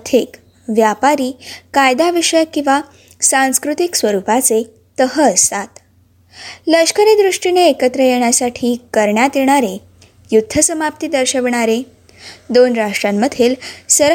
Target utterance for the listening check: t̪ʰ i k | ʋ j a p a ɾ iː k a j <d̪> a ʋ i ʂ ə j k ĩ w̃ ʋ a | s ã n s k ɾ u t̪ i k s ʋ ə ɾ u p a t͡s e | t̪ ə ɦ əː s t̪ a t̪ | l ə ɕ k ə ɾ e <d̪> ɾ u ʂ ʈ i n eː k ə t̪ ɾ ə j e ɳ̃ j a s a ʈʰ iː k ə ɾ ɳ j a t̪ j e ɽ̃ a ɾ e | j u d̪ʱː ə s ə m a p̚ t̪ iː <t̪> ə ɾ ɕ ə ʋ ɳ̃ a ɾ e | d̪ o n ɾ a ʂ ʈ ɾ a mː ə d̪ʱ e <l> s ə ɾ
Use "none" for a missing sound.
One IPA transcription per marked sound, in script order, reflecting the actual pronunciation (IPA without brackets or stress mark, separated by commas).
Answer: d̪, d̪, d̪, l